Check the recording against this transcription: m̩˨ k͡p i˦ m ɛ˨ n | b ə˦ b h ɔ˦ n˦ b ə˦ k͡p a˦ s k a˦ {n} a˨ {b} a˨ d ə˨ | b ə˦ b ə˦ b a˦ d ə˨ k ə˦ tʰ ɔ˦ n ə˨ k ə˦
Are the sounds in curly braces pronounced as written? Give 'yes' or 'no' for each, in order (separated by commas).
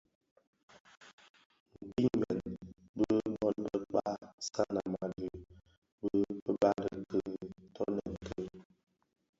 yes, no